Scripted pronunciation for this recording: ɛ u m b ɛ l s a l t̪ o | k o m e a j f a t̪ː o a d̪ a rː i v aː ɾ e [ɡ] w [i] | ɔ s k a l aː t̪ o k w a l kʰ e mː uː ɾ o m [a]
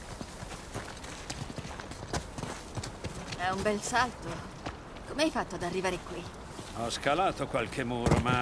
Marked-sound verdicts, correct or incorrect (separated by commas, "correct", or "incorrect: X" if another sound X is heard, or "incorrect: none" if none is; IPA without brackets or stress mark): incorrect: k, correct, correct